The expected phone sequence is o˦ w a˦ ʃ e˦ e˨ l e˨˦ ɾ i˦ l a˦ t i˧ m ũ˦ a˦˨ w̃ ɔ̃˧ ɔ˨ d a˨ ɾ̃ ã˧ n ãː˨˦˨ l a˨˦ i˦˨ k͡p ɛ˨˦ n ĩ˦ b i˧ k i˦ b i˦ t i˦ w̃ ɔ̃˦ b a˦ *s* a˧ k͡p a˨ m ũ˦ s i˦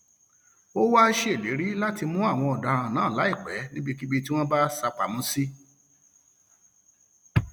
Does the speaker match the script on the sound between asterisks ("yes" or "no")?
yes